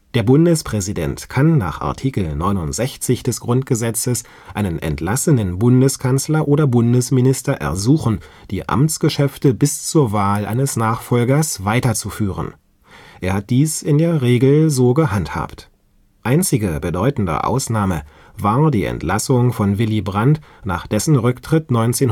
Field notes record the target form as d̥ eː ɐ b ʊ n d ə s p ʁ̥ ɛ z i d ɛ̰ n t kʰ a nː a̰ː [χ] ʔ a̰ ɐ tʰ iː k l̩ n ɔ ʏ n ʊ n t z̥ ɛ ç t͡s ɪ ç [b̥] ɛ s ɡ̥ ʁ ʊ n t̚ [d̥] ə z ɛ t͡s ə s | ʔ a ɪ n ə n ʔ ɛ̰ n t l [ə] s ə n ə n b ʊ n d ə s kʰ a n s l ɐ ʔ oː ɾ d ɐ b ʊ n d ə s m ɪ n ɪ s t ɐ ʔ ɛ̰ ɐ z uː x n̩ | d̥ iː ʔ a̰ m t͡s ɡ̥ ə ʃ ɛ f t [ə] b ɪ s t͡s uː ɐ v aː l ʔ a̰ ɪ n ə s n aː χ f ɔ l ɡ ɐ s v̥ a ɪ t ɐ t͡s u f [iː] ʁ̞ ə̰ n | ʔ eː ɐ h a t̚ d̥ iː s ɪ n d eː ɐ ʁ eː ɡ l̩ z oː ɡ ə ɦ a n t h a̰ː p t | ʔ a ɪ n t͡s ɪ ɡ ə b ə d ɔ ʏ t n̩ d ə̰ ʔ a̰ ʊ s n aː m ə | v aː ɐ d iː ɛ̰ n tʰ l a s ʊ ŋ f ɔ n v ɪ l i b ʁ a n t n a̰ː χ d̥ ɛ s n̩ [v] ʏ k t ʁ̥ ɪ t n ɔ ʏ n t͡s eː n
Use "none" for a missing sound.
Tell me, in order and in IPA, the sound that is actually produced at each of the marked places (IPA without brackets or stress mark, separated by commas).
χ, d̥, ɡ̥, a, ə, yː, ʁ